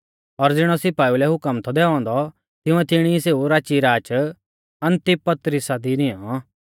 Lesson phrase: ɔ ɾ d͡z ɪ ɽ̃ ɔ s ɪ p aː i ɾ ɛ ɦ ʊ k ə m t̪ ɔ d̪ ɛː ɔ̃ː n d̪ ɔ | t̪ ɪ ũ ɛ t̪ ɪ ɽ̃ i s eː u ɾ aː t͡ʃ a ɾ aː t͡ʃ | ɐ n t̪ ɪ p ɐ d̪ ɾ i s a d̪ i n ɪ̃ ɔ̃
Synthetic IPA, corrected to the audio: ɔ ɾ d͡z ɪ ɽ̃ ɔ s ɪ p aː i l ɛ ɦ ʊ k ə m t̪ʰ ɔ d̪ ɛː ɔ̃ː n d̪ ɔ | t̪ ɪ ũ ɛ t̪ ɪ ɽ̃ i s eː u ɾ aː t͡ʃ i ɾ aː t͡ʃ | ɐ n t̪ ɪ p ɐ t̪ ɾ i s a d̪ i n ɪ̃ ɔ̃